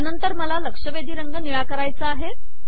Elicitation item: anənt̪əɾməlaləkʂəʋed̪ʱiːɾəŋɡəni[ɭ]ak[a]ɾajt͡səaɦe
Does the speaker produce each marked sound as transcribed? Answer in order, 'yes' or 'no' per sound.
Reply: yes, no

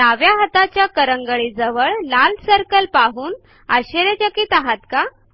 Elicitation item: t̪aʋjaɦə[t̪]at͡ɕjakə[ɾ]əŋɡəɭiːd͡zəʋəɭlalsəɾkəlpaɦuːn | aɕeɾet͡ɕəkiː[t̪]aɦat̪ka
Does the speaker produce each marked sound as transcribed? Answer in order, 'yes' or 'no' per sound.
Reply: yes, yes, yes

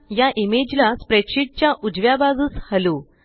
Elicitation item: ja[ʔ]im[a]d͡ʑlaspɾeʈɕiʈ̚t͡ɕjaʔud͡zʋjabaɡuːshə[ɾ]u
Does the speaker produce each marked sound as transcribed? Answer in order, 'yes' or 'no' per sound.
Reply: yes, no, no

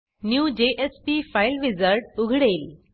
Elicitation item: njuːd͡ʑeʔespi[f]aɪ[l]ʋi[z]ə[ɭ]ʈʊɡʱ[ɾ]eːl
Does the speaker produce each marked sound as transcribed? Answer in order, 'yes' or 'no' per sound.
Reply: yes, yes, yes, no, no

